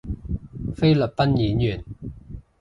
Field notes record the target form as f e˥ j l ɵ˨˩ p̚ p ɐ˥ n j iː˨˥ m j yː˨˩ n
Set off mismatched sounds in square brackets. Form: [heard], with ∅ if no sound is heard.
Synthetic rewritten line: f e˥ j l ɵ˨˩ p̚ p ɐ˥ n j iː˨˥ [n] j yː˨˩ n